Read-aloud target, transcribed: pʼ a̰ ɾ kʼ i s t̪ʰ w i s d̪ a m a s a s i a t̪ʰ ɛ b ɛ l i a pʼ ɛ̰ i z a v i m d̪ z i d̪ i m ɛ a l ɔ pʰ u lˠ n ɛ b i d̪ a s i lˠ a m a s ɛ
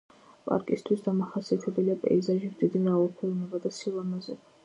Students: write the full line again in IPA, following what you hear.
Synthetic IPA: pʼ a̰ ɾ kʼ i s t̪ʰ w i s d̪ a m a χ a s i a t̪ʰ ɛ b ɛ l i a pʼ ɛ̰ i z a ʒ i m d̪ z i d̪ i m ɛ a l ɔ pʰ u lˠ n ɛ b a d̪ a s i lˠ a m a z ɛ